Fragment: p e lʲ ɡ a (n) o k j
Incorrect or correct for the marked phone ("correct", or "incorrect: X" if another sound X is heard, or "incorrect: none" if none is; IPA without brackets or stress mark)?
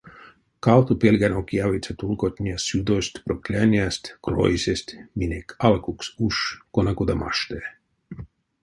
correct